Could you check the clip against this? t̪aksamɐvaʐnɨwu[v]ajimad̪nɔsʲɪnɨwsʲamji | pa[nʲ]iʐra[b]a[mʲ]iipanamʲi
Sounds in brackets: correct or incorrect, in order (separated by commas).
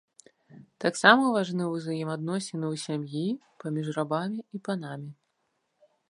incorrect, incorrect, correct, correct